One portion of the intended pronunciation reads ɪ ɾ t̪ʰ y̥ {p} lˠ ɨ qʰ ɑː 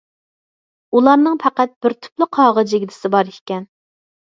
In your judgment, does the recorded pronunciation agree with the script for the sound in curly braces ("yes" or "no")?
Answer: yes